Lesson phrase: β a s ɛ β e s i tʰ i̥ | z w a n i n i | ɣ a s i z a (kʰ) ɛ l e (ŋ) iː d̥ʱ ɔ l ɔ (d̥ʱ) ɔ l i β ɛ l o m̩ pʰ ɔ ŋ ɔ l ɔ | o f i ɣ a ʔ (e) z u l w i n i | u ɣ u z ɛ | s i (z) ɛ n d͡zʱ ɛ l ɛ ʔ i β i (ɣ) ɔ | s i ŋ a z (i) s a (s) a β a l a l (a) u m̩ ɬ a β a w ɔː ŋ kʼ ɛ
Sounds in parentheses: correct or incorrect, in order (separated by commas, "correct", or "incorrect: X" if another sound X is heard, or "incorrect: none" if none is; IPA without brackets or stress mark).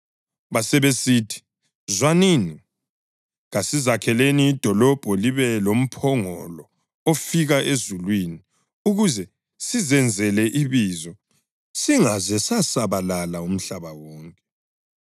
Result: correct, incorrect: n, incorrect: b̥ʱ, correct, correct, incorrect: z, incorrect: ɛ, correct, correct